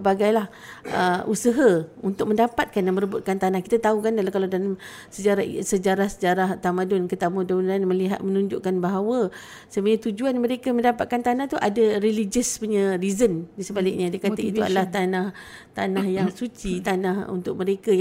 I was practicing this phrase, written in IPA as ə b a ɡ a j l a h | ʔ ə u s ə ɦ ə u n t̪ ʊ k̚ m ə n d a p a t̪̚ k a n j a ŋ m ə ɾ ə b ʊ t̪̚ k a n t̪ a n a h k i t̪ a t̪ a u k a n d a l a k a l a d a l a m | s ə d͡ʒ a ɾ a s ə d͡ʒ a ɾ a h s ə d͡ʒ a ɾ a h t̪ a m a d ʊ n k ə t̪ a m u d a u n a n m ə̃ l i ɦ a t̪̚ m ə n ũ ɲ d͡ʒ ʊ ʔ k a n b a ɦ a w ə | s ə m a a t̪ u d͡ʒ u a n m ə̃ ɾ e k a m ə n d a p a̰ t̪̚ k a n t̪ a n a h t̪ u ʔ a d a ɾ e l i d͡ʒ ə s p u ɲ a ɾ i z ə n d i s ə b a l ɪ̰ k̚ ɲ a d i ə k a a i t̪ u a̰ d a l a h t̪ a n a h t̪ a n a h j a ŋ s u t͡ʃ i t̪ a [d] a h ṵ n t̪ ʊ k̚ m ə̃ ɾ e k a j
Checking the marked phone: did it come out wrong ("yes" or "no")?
yes